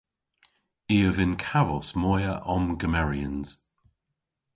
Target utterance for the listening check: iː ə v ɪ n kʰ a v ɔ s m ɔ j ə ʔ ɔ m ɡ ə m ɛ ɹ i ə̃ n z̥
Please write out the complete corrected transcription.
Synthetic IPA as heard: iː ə v ɪ n kʰ a v ɔ s m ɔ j ə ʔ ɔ m ɡ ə m ɛ ɹ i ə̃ n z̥